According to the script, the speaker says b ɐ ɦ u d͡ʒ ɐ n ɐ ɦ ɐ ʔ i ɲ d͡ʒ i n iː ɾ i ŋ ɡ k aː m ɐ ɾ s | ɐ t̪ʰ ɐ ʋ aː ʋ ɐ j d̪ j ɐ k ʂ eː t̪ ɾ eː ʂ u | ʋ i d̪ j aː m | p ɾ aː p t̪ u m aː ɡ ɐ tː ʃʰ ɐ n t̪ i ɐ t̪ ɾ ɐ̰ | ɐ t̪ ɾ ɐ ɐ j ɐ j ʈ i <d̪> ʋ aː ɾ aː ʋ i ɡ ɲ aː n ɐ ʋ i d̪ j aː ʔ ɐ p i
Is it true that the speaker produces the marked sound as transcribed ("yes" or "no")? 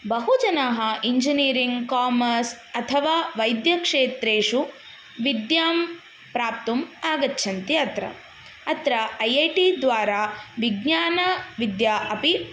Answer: yes